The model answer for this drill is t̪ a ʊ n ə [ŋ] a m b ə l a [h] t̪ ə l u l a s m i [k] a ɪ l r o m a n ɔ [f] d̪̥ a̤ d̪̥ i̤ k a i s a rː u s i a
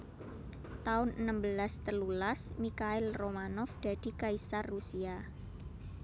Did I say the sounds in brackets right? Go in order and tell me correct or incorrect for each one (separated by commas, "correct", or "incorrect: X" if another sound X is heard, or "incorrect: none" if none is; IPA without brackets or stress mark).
incorrect: n, incorrect: s, correct, correct